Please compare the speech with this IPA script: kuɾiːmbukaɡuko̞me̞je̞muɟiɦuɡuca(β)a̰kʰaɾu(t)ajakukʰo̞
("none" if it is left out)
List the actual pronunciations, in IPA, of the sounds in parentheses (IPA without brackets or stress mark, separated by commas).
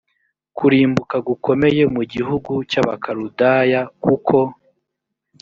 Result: β, d